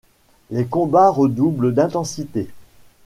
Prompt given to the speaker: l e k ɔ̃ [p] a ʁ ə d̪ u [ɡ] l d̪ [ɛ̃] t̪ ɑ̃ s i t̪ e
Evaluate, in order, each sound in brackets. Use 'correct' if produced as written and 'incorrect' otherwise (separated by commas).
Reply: incorrect, incorrect, correct